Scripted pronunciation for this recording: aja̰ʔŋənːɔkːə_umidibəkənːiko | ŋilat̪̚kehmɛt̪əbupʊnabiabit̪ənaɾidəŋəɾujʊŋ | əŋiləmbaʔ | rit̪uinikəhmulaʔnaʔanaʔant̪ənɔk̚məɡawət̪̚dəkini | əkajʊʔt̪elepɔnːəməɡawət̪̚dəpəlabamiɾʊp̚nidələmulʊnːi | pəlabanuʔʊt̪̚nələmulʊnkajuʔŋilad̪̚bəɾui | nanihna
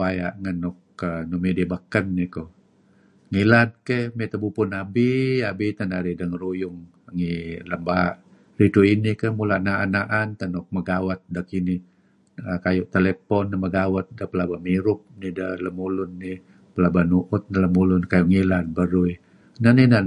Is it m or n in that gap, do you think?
n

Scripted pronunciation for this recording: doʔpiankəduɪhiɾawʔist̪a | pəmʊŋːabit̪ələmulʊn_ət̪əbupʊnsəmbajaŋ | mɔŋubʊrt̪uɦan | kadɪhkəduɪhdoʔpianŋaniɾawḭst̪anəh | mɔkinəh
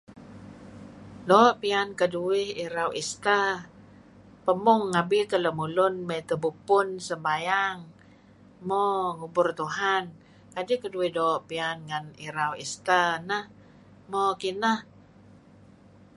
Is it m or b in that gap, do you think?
m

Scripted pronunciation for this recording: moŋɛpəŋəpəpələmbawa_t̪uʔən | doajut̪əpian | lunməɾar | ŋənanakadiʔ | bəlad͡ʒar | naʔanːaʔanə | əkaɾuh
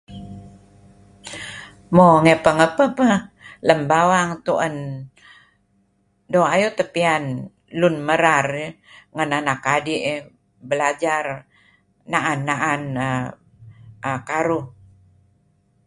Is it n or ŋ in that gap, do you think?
ŋ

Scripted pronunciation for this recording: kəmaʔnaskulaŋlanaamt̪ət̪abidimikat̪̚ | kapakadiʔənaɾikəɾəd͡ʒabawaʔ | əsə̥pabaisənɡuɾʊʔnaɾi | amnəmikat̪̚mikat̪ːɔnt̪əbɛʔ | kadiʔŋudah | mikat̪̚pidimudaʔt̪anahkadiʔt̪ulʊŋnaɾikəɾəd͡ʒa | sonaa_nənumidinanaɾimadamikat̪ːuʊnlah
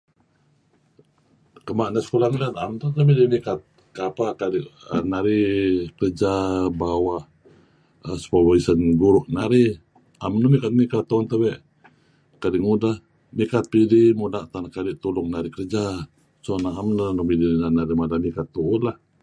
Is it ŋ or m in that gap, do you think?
m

